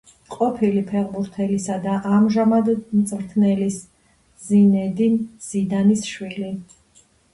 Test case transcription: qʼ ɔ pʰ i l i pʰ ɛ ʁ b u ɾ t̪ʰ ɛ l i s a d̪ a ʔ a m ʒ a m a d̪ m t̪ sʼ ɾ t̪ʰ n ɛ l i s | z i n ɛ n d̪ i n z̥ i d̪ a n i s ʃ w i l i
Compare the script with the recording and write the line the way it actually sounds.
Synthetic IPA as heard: qʼ ɔ pʰ i l i pʰ ɛ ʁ b u ɾ t̪ʰ ɛ l i s a d̪ a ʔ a m ʒ a m a d̪ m t̪ sʼ ɾ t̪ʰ n ɛ l i s | z i n ɛ d̪ i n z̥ i d̪ a n i s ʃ w i l i